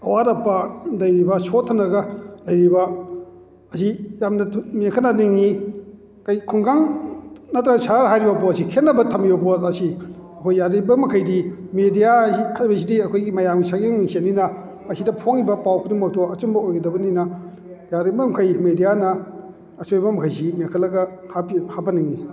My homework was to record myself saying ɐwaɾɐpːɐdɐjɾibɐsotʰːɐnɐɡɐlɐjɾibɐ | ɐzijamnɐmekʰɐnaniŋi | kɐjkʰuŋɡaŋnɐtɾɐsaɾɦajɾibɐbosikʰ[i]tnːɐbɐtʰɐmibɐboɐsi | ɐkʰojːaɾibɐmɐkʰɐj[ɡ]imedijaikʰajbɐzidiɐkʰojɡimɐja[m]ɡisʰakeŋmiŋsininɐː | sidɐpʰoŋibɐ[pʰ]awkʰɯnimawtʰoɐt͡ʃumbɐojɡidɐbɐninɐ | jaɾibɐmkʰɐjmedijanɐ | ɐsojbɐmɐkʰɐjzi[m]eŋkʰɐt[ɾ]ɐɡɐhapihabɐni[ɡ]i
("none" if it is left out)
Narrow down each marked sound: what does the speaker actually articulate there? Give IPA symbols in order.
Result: e, d, m, p, m, l, ŋ

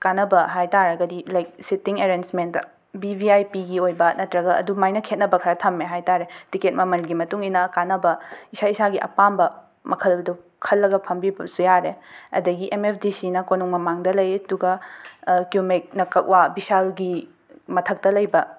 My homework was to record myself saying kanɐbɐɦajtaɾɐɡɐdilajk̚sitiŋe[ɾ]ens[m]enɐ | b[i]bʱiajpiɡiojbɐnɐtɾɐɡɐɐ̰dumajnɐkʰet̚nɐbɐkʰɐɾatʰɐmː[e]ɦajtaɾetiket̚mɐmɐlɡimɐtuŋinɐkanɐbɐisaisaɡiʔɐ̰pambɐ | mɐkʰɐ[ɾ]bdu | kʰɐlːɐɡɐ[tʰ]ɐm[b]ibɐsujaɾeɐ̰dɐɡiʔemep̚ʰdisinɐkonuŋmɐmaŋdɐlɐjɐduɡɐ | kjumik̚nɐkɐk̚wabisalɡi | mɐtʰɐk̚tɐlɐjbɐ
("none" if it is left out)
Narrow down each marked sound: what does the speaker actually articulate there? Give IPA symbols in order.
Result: ɾ, m, i, e, l, pʰ, b

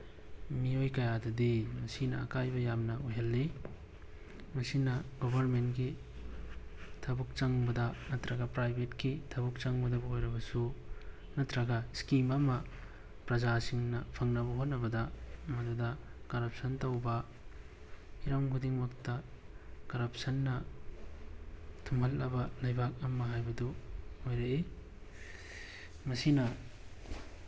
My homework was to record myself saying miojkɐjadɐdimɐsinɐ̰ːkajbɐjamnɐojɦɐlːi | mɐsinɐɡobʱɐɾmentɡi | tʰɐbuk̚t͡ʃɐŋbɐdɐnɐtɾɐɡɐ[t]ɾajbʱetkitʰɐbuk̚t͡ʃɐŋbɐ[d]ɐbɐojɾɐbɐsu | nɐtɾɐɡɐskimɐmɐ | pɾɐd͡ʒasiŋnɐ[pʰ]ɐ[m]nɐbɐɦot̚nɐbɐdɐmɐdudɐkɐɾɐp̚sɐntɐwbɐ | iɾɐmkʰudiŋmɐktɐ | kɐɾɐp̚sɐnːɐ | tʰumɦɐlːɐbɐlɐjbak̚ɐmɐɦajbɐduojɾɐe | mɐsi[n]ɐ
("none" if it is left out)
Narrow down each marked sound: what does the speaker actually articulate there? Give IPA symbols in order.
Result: p, d, pʰ, ŋ, n

